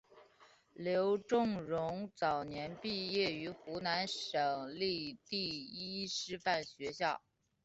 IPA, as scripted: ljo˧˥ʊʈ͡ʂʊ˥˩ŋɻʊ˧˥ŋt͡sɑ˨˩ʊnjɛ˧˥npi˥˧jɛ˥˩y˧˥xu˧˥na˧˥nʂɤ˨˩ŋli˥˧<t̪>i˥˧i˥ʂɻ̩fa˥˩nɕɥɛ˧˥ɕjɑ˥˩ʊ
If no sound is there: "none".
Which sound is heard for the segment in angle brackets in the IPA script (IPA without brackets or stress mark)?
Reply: t̪